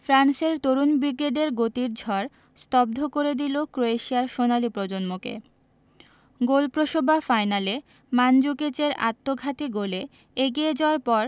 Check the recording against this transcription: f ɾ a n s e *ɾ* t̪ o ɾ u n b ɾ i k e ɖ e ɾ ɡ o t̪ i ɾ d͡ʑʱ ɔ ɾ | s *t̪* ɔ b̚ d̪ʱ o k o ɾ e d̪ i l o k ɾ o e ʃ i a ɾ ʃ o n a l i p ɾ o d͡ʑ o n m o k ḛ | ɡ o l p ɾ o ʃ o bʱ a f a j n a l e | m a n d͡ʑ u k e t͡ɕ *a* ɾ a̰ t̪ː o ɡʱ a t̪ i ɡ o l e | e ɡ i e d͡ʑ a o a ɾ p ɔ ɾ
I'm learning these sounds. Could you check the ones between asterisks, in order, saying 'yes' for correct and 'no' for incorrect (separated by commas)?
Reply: yes, yes, no